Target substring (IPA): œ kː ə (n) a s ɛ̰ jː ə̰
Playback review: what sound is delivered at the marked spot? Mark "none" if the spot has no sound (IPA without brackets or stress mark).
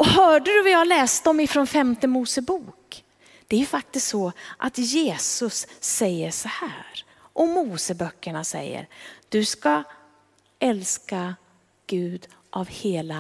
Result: ɳ